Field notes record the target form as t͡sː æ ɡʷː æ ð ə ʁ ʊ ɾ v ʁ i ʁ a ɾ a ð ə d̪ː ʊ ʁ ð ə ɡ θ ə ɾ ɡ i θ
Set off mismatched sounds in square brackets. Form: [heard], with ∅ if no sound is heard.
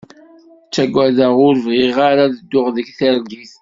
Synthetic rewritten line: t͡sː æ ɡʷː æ ð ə ʁ ʊ ɾ v ʁ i ʁ a ɾ a ð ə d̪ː ʊ ʁ ð ə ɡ θ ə ɾ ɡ i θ